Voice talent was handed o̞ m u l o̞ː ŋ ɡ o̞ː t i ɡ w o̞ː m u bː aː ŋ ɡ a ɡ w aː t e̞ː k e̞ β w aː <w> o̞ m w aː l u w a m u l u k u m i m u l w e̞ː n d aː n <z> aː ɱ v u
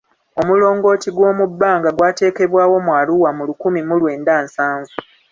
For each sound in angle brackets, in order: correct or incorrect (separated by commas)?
correct, incorrect